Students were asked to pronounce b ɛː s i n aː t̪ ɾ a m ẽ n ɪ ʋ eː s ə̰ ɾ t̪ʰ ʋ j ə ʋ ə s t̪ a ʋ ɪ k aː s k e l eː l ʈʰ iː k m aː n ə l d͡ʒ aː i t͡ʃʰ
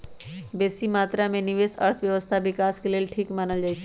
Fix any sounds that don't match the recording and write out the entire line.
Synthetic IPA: b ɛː s i m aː t̪ ɾ a m ẽ n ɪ ʋ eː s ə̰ ɾ t̪ʰ ʋ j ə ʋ ə s t̪ʰ a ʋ ɪ k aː s k e l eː l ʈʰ iː k m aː n ə l d͡ʒ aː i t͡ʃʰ